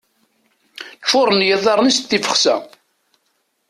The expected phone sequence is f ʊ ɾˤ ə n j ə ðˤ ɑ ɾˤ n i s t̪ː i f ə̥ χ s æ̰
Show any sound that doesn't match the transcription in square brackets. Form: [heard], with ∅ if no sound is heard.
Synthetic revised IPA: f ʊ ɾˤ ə n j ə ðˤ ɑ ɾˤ n i s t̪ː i f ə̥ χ s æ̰